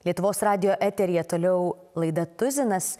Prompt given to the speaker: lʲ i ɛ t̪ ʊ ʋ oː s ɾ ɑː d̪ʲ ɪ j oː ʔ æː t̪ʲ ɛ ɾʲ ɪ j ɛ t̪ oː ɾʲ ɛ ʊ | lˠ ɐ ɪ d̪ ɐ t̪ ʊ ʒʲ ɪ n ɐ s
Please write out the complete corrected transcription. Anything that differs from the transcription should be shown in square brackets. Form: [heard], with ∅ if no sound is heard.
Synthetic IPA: lʲ i ɛ t̪ ʊ ʋ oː s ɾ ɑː d̪ʲ ɪ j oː ʔ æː t̪ʲ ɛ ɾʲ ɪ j ɛ t̪ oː [lʲ] ɛ ʊ | lˠ ɐ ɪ d̪ ɐ t̪ ʊ [zʲ] ɪ n ɐ s

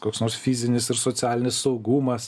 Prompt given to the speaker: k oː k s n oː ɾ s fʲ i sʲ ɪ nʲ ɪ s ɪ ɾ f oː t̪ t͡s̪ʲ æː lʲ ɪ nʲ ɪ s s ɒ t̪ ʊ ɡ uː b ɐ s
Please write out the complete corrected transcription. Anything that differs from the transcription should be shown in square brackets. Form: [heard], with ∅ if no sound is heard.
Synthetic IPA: k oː k s n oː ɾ s fʲ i [zʲ] ɪ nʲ ɪ s ɪ ɾ [s] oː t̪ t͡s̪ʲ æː lʲ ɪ nʲ ɪ s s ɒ [∅] ʊ ɡ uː [m] ɐ s

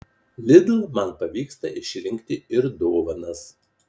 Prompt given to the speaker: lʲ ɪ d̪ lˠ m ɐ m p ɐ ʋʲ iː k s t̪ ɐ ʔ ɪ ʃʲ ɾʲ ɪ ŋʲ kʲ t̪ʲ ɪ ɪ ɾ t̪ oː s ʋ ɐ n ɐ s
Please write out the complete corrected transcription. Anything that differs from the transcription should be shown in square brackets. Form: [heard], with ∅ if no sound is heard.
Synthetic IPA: lʲ ɪ d̪ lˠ m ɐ [n] p ɐ ʋʲ iː k s t̪ ɐ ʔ ɪ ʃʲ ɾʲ ɪ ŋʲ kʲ t̪ʲ ɪ ɪ ɾ [d̪] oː [∅] ʋ ɐ n ɐ s

